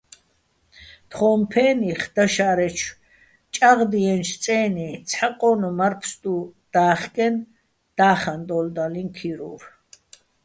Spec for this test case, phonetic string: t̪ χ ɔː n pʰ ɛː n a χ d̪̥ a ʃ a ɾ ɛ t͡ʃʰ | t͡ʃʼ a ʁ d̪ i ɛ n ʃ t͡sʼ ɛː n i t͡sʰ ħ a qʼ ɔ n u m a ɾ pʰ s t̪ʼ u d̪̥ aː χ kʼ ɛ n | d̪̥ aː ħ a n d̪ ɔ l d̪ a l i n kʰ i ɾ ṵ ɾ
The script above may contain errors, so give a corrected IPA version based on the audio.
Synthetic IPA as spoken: t̪ χ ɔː m pʰ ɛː n i χ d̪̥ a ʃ a ɾ ɛ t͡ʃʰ | t͡ʃʼ a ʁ d̪ i ɛ n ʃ t͡sʼ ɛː n i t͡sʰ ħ a qʼ ɔ n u m a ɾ pʰ s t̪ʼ u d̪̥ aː χ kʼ ɛ n | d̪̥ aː χ a n d̪ ɔ l d̪ a l i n kʰ i ɾ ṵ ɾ

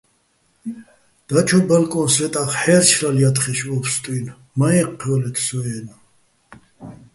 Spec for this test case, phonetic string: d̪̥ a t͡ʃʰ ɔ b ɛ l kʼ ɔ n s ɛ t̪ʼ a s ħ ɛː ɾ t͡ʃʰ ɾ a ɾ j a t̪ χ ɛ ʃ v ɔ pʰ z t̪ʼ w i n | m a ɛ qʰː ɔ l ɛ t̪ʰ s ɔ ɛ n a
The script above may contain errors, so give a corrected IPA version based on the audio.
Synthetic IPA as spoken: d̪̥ a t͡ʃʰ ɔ b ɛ l kʼ ɔ n s ɛ t̪ʼ a χ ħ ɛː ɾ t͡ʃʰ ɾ a l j a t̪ χ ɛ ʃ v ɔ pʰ s t̪ʼ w i n | m a ɛ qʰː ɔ l ɛ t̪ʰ s ɔ ɛ n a

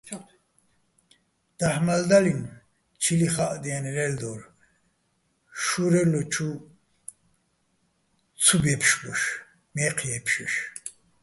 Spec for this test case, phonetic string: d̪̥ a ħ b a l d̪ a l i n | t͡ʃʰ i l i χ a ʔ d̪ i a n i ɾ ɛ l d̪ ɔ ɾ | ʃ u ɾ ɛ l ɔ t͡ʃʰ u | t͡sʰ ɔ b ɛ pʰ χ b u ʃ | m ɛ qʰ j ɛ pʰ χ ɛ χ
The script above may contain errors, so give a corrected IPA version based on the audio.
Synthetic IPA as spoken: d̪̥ a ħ m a l d̪ a l i n | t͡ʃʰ i l i χ a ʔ d̪ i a n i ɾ ɛ l d̪ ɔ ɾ | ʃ u ɾ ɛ l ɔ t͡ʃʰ u | t͡sʰ u b ɛ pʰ ʃ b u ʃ | m ɛ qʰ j ɛ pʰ ʃ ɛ ʃ

